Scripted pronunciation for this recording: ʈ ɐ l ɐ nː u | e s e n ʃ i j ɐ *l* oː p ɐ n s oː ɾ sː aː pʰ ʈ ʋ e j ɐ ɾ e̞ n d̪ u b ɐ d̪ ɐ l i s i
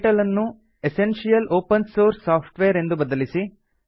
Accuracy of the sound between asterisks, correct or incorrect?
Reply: correct